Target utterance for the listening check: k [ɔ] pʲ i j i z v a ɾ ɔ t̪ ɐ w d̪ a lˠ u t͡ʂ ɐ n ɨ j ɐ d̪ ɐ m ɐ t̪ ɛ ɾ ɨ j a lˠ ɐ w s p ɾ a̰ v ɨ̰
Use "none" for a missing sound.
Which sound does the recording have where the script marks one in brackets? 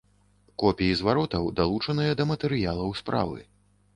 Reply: ɔ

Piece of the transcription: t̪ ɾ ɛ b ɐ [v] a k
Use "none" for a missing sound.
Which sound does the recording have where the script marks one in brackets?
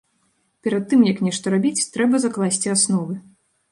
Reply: z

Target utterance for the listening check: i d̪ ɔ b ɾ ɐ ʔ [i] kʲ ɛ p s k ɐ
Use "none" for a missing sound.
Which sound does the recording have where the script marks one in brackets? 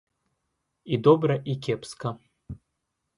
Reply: i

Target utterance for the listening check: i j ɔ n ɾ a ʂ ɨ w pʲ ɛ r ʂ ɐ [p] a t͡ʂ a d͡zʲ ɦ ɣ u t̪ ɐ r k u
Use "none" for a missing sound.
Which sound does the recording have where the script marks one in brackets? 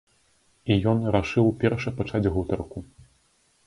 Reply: p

